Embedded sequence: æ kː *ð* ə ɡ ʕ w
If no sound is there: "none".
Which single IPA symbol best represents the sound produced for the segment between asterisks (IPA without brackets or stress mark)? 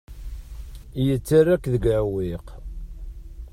ð